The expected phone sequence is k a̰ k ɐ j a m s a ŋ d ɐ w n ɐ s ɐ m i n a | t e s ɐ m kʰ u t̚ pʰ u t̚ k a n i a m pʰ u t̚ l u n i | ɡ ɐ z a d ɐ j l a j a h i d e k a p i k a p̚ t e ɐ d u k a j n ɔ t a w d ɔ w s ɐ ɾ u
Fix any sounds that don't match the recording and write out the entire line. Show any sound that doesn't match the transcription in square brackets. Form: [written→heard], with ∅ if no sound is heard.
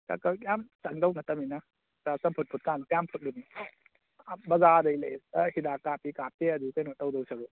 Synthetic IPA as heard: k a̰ k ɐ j a m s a ŋ d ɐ w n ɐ [s→t] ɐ m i n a | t [e→a] s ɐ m [kʰ→pʰ] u t̚ pʰ u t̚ k a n [i→j] a m pʰ u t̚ l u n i | [ɡ→b] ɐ z a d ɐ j l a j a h i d [e→a] k a p i k a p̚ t e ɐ d u k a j n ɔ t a w d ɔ w s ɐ ɾ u